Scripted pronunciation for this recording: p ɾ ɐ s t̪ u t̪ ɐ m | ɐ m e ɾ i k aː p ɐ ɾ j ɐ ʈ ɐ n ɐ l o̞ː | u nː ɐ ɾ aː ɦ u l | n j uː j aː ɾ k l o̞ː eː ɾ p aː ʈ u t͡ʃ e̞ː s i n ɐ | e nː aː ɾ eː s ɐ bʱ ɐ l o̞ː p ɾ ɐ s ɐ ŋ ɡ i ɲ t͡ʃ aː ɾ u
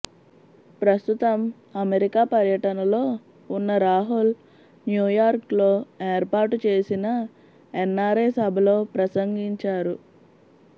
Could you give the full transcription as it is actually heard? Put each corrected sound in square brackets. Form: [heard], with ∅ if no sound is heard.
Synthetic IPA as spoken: p ɾ ɐ s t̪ u t̪ ɐ m | ɐ m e ɾ i k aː p ɐ ɾ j ɐ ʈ ɐ n ɐ l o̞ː | u nː ɐ ɾ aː ɦ u l | n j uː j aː ɾ k l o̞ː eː ɾ p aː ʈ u t͡ʃ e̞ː s i n ɐ | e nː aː ɾ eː s ɐ bʱ ɐ l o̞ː p ɾ ɐ s ɐ ŋ ɡ i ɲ t͡ʃ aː ɾ u